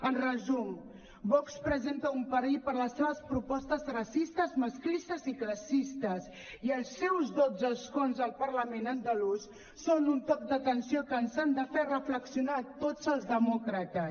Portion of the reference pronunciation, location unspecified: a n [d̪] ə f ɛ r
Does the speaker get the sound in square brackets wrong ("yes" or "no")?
no